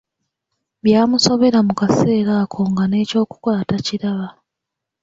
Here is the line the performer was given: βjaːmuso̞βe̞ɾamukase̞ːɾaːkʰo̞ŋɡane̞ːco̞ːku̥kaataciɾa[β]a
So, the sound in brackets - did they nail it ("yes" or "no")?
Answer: yes